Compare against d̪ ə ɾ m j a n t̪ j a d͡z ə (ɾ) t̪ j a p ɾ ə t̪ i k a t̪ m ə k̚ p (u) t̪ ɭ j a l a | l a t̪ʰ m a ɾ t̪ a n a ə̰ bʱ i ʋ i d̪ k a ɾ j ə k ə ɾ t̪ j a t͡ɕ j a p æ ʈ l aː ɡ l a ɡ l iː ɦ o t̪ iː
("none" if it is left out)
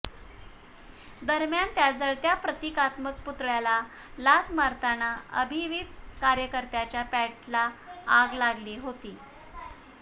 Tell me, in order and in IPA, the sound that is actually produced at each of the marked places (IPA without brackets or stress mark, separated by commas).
ɭ, u